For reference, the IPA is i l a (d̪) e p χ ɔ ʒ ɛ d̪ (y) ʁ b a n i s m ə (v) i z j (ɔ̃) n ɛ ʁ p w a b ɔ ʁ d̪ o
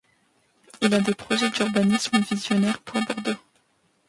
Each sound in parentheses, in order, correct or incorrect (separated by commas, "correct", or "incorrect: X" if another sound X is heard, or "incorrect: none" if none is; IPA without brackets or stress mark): correct, correct, correct, incorrect: ɔ